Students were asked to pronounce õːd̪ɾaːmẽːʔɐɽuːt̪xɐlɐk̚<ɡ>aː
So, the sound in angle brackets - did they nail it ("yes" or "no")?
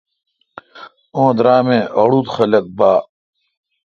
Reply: no